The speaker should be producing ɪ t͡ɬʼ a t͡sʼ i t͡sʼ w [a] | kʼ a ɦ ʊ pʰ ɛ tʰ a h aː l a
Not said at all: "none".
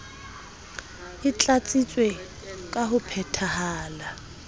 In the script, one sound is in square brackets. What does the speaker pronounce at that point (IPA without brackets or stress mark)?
e